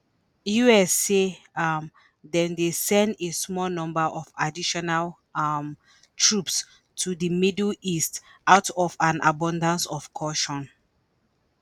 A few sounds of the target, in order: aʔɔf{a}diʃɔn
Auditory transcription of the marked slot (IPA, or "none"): a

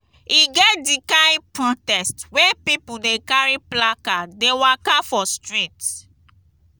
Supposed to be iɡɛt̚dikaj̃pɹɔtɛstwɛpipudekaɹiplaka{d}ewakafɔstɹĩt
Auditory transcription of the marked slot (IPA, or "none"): d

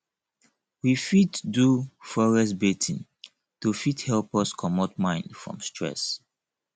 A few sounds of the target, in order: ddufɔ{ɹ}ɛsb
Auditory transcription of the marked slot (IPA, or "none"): ɹ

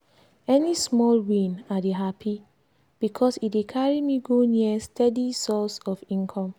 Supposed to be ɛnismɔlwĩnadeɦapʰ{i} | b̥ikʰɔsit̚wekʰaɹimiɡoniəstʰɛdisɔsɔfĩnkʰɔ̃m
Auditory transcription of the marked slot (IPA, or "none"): i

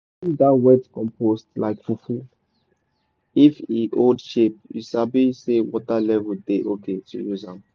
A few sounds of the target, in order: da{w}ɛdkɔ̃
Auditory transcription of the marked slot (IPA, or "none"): w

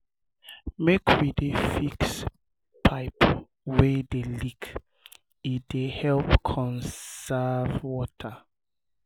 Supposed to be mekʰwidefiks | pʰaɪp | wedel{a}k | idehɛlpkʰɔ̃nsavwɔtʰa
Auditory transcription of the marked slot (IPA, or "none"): i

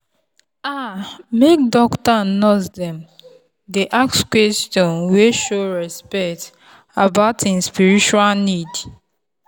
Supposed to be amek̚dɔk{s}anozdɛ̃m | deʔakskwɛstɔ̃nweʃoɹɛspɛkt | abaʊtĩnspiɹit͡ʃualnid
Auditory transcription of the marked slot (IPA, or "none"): t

